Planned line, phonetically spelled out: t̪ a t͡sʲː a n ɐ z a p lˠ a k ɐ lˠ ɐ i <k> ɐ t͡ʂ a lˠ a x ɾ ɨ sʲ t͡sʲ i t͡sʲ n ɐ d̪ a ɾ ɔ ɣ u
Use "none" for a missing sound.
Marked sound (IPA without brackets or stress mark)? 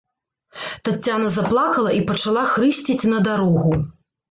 p